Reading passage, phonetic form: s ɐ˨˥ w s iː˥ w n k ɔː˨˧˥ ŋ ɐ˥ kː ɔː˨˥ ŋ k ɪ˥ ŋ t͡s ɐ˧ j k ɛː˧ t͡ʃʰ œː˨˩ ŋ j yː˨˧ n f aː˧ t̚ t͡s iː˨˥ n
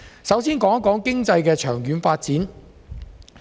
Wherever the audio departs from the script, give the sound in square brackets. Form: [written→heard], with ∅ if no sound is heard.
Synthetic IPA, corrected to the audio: s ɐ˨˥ w s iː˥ [w→∅] n k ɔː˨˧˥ ŋ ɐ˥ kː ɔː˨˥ ŋ k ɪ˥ ŋ t͡s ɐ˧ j k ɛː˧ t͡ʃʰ œː˨˩ ŋ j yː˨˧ n f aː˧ t̚ t͡s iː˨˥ n